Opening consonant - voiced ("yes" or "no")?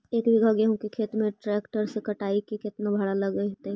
no